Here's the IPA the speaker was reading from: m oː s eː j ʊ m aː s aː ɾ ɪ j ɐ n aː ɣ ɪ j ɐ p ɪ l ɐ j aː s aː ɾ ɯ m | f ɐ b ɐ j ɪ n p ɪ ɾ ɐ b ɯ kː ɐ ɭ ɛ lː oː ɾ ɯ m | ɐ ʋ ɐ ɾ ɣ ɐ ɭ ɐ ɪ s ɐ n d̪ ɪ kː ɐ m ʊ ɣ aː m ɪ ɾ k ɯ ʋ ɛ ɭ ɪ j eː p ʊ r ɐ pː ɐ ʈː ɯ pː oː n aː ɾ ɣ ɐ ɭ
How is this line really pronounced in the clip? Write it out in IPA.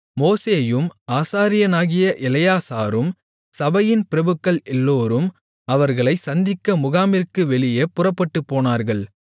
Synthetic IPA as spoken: m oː s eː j ɯ m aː s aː ɾ ɪ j ɐ n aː ɣ ɪ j ɐ ʔ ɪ l ɐ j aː s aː ɾ ɯ m | s ɐ b ɐ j ɪ n p ɪ ɾ ɐ b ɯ kː ɐ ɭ ɛ lː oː ɾ ɯ m | ɐ ʋ ɐ ɾ ɣ ɐ ɭ ɐ ɪ s ɐ n d̪ ɪ kː ɐ m ʊ ɣ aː m ɪ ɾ k ɯ ʋ ɛ ɭ ɪ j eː p ʊ r ɐ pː ɐ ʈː ɯ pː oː n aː ɾ ɣ ɐ ɭ